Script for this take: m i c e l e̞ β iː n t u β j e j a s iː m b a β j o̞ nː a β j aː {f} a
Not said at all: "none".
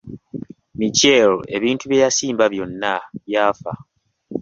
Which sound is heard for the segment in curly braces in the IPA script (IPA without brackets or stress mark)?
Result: f